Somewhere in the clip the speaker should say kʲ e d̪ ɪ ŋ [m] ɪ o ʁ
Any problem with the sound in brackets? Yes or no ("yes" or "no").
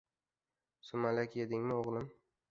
no